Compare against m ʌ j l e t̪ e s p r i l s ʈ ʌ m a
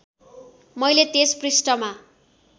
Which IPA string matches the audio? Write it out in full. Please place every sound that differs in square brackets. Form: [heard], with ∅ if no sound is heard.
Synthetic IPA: m ʌ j l e t̪ e s p r i [∅] s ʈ ʌ m a